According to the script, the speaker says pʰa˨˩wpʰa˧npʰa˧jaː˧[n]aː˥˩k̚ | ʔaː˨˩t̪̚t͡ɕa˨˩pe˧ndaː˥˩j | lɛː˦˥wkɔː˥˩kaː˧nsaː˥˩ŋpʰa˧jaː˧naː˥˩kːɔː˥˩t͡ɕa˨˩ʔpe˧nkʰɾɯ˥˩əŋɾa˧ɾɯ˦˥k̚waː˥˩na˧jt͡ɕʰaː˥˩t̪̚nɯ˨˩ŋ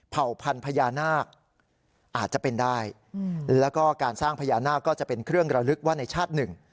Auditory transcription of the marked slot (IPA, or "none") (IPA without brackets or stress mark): n